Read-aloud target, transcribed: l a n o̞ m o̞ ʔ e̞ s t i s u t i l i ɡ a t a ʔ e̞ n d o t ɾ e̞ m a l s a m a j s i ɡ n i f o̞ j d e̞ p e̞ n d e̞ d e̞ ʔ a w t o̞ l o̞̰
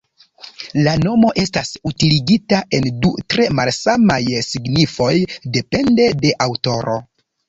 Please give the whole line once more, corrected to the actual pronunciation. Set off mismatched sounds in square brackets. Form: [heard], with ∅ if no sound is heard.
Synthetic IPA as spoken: l a n o̞ m o̞ ʔ e̞ s t [a] s u t i l i ɡ [i] t a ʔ e̞ n d [u] t ɾ e̞ m a l s a m a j s i ɡ n i f o̞ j d e̞ p e̞ n d e̞ d e̞ ʔ a w t o̞ [ɾ] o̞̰